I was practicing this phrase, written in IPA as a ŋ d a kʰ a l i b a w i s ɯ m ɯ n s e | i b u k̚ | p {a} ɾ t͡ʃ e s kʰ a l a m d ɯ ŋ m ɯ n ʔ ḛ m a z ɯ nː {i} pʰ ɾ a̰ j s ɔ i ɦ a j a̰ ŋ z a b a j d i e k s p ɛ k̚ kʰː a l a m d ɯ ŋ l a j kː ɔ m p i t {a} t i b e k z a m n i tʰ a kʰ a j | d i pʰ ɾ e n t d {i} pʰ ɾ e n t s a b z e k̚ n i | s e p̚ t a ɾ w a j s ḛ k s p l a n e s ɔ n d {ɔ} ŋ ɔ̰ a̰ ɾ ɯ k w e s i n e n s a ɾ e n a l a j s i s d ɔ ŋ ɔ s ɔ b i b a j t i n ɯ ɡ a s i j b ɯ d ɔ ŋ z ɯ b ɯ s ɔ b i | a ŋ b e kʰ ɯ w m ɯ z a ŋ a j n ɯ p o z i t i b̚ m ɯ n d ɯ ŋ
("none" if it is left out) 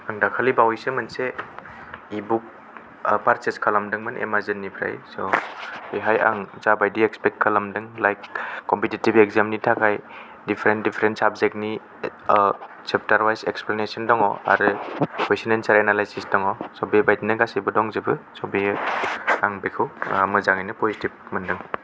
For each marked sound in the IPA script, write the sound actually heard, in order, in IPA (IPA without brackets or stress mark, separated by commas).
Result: a, i, i, i, ɔ